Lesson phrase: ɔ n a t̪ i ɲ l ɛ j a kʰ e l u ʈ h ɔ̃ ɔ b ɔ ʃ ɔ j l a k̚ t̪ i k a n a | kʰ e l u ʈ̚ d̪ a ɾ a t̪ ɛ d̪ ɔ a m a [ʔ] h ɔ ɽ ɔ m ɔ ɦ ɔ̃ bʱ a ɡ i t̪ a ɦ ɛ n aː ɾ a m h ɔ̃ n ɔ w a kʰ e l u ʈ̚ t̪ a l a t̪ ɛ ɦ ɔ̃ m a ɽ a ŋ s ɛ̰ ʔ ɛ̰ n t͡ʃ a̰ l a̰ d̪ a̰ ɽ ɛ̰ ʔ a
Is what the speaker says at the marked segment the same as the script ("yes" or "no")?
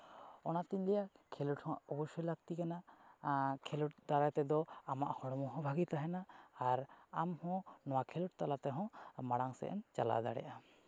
yes